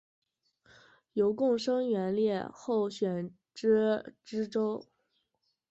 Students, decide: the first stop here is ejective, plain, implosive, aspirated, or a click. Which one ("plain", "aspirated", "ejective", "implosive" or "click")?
plain